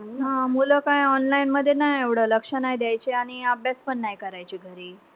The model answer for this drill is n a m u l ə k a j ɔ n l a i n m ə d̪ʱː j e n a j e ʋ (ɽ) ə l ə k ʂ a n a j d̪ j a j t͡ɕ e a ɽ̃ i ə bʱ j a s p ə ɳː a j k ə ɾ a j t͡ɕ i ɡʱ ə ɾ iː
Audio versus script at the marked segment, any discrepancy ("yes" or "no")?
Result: no